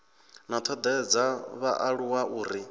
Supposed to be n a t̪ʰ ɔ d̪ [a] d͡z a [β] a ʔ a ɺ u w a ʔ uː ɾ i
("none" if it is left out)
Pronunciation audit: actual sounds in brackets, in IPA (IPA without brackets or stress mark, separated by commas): ɛ, β